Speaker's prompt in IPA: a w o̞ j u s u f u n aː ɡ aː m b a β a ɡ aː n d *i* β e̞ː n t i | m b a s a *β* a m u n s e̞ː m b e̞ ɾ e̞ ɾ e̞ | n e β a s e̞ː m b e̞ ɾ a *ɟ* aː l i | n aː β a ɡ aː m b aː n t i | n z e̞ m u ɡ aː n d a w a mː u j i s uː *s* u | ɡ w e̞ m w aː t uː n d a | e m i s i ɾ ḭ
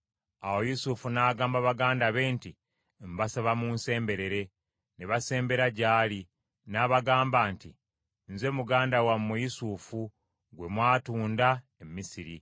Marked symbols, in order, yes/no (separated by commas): no, yes, yes, no